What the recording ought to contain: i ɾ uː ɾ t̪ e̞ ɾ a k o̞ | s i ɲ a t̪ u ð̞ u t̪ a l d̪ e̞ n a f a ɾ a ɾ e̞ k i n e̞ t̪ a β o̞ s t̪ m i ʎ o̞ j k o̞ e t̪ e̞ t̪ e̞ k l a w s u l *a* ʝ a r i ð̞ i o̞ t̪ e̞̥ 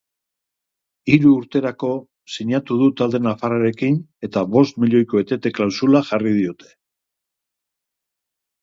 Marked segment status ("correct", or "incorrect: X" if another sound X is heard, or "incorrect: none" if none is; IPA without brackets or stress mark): correct